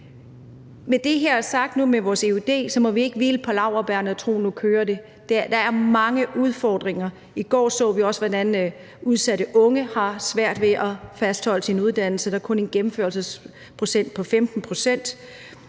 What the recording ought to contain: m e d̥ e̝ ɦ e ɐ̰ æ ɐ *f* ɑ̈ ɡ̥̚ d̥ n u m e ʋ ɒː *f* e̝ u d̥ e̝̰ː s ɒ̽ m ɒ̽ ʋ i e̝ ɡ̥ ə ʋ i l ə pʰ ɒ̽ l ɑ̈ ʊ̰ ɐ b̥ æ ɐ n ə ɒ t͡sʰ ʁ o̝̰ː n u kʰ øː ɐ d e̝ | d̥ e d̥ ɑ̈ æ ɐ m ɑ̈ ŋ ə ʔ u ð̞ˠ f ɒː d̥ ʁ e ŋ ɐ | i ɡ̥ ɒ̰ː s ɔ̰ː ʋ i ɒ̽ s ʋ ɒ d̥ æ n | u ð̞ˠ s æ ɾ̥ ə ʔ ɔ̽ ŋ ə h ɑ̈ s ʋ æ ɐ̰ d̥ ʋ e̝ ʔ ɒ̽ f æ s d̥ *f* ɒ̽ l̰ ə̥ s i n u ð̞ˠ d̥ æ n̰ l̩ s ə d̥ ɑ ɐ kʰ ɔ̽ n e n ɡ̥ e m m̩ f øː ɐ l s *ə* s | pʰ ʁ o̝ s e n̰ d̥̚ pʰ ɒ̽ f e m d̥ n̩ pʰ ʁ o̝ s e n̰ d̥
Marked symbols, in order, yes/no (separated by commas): no, no, no, yes